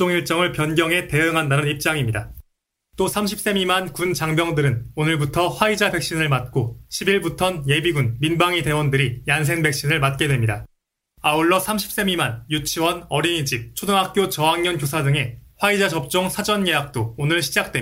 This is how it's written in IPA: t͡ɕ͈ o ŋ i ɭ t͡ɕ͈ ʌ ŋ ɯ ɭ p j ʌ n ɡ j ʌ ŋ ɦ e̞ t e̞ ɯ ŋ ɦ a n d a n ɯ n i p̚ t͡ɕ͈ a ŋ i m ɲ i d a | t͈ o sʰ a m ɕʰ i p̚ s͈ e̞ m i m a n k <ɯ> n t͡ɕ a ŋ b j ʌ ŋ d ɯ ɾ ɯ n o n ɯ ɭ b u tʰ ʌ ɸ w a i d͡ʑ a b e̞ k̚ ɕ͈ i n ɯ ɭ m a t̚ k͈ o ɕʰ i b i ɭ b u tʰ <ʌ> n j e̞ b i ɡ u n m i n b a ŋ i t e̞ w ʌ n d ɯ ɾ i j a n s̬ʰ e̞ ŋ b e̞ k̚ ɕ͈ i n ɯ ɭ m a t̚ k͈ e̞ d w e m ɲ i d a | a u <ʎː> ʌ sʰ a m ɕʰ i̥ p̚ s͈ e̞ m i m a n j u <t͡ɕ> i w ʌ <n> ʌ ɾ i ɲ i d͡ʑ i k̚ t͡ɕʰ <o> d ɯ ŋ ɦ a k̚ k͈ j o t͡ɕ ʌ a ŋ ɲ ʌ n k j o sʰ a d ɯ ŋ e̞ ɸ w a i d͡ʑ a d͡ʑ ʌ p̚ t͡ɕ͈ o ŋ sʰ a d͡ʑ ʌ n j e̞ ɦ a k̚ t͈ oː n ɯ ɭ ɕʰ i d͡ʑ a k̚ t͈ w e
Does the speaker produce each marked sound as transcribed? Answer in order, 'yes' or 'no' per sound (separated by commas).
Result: no, yes, no, no, yes, yes